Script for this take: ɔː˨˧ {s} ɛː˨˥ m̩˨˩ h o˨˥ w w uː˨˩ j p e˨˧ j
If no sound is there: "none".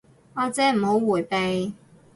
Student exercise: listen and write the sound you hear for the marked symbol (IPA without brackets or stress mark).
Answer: t͡s